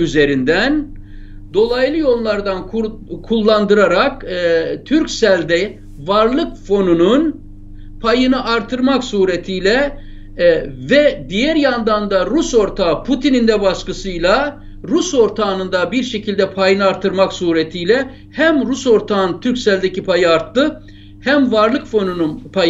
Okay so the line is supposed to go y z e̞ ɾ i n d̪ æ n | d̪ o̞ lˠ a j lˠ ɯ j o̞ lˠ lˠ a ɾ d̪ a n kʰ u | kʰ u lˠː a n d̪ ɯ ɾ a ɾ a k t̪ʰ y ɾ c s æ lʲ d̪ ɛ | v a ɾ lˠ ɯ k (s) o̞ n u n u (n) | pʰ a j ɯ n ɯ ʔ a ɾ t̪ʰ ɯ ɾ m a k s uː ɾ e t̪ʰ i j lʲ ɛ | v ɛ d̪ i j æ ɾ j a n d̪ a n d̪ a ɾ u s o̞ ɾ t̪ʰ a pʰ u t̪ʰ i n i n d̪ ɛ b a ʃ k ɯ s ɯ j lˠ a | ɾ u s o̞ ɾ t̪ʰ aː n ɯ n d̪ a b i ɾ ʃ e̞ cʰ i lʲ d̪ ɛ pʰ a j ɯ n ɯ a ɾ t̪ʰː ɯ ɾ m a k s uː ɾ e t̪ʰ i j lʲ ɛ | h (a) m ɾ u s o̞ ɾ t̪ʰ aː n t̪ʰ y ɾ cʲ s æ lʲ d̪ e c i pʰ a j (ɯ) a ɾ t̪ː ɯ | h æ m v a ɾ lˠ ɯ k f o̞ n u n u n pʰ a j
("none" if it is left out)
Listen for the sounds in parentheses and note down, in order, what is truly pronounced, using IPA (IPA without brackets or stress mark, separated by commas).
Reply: f, n, æ, ɯ